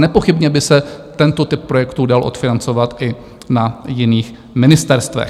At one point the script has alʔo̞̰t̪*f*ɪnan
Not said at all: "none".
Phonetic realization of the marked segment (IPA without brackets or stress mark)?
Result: f